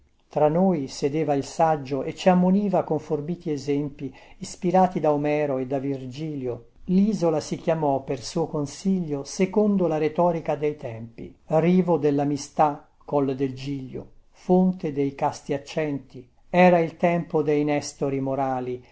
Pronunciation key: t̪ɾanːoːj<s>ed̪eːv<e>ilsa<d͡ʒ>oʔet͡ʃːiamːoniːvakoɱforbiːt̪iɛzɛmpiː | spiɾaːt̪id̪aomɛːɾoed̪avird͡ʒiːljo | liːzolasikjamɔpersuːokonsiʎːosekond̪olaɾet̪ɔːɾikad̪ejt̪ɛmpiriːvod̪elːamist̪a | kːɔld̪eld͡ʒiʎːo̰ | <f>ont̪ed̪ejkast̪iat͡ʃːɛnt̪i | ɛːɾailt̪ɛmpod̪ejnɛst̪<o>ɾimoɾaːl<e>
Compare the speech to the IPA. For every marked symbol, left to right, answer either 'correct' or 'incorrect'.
correct, incorrect: a, incorrect: d͡ʒː, correct, correct, incorrect: i

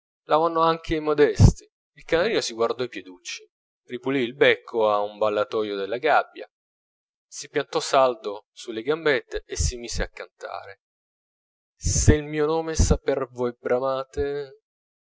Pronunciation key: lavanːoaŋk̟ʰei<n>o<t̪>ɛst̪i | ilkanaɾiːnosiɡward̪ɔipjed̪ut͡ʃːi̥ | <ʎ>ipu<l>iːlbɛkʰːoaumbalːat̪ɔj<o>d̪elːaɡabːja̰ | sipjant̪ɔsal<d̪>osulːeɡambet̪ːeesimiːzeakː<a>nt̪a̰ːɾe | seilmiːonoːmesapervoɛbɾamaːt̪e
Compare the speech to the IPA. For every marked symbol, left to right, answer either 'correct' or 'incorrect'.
incorrect: m, incorrect: d̪, incorrect: r, correct, correct, correct, correct

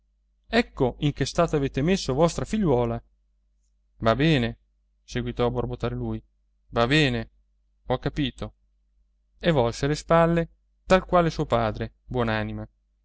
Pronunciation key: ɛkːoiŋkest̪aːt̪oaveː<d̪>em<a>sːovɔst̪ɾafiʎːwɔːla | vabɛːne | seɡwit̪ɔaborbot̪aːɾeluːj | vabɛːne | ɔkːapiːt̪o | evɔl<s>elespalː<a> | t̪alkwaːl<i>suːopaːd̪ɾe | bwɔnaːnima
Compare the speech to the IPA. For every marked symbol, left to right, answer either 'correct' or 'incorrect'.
incorrect: t̪, incorrect: e, correct, incorrect: e, incorrect: e

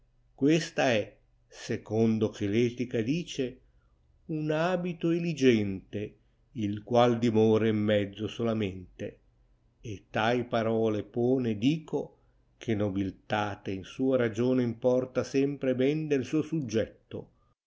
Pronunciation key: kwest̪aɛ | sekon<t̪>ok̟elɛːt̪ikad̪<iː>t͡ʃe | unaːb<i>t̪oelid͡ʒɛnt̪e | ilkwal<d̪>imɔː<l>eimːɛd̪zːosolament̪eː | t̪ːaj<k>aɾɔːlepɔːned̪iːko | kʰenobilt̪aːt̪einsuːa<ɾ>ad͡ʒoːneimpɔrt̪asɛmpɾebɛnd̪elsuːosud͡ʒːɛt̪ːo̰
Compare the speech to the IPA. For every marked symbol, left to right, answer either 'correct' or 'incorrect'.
incorrect: d̪, correct, correct, correct, incorrect: ɾ, incorrect: p, correct

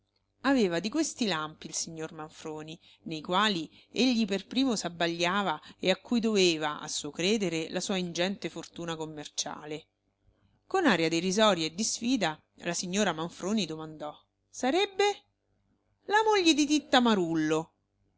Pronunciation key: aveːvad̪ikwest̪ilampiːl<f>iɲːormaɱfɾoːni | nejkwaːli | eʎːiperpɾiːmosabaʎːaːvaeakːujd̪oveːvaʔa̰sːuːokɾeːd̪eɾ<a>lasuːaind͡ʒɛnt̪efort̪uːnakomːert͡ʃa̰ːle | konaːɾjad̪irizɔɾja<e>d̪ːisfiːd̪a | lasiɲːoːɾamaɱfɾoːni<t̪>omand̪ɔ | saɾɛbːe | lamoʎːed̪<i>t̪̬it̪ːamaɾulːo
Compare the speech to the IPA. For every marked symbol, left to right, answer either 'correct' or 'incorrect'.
incorrect: s, incorrect: e, correct, incorrect: d̪, correct

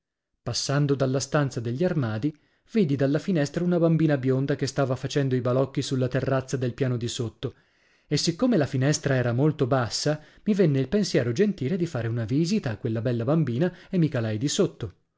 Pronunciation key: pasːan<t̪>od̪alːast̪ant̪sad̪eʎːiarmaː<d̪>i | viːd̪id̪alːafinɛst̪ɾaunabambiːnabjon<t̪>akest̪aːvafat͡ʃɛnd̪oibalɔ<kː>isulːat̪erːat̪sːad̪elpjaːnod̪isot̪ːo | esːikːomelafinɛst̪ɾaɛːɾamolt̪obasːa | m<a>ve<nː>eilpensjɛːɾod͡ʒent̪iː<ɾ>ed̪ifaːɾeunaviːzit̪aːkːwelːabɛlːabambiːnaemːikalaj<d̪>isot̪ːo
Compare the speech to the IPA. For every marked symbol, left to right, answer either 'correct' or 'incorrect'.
incorrect: d̪, correct, incorrect: d̪, correct, incorrect: i, correct, incorrect: l, correct

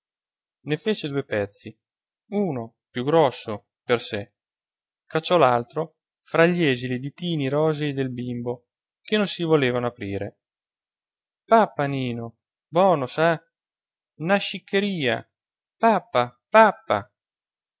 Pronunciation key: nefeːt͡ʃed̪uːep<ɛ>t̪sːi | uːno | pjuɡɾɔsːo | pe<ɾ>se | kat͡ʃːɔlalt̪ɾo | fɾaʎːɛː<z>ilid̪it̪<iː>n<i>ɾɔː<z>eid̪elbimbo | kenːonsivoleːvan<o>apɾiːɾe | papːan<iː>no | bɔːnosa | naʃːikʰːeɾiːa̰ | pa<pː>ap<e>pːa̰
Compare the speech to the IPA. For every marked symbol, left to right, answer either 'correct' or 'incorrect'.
correct, incorrect: r, correct, correct, correct, correct, correct, correct, correct, incorrect: a

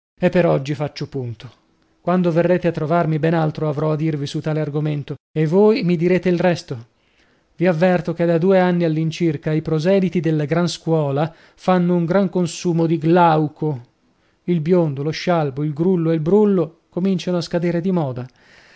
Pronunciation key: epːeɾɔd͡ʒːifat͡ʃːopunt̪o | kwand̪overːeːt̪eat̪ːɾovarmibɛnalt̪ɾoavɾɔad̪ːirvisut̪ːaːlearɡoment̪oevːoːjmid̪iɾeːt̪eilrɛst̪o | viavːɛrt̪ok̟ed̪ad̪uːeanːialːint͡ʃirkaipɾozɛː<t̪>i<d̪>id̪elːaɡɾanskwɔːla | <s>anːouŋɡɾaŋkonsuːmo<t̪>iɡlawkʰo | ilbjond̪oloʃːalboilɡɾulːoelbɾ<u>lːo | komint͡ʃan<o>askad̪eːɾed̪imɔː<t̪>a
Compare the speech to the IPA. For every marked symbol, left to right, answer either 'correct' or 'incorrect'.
incorrect: d̪, incorrect: t̪, incorrect: f, incorrect: d̪, correct, correct, incorrect: d̪

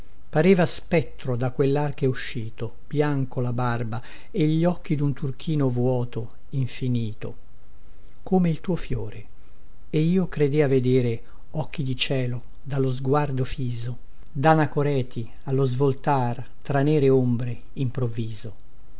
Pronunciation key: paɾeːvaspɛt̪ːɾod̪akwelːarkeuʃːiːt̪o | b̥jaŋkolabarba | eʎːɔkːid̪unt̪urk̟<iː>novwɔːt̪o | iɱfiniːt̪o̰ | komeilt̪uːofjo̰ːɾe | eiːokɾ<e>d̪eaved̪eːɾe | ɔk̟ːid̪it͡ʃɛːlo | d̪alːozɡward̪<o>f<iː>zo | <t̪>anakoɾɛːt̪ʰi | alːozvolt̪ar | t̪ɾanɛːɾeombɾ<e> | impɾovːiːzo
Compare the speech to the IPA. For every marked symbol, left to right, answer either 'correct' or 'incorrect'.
correct, correct, correct, correct, incorrect: d̪, correct

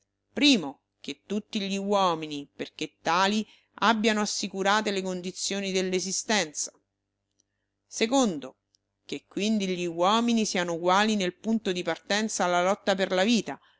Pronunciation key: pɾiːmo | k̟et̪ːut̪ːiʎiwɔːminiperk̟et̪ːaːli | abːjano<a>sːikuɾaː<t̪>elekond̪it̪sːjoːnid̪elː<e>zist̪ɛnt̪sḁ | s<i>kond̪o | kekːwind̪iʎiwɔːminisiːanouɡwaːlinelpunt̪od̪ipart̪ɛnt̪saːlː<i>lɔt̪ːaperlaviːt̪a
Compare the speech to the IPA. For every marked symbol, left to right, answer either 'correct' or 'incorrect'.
correct, correct, correct, incorrect: e, incorrect: a

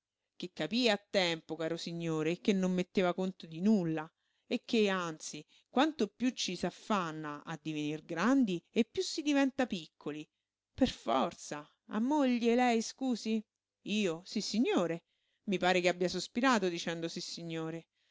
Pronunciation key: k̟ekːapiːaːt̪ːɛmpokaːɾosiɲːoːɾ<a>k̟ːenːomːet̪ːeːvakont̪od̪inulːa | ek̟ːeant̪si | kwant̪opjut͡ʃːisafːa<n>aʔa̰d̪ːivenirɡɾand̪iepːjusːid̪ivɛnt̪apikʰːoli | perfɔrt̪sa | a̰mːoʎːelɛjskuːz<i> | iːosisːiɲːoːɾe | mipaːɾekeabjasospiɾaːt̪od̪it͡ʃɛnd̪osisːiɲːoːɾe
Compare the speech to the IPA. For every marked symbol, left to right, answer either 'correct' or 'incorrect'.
incorrect: e, incorrect: nː, correct

